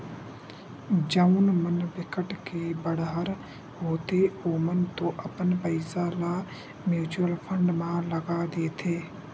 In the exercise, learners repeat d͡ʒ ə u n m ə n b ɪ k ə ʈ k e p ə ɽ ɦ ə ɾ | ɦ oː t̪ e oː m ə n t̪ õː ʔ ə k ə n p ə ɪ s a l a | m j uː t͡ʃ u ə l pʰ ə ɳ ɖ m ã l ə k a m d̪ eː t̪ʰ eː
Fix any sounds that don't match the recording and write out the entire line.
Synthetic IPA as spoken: d͡ʒ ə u n m ə n b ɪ k ə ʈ k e b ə ɽ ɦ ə ɾ | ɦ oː t̪ e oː m ə n t̪ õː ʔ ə p ə n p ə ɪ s a l a | m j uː t͡ʃ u ə l pʰ ə ɳ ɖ m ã l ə ɡ a d̪ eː t̪ʰ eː